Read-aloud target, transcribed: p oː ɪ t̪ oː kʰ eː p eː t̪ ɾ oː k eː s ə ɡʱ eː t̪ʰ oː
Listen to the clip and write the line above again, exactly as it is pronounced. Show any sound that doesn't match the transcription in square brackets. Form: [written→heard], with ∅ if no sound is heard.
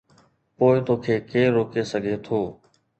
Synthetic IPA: p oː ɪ t̪ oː kʰ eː [p→k] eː [t̪→∅] ɾ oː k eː s ə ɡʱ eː t̪ʰ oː